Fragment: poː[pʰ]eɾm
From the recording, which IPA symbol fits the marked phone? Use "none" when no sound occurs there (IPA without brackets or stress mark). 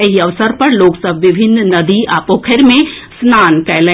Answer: kʰ